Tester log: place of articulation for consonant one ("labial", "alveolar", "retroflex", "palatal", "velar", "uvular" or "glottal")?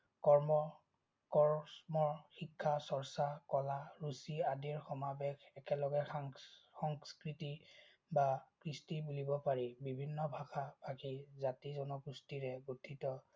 velar